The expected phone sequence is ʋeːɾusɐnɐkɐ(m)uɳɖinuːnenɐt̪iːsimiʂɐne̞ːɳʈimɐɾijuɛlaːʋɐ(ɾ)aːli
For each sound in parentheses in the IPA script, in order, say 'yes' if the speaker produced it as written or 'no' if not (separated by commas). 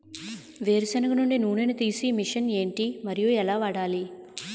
no, no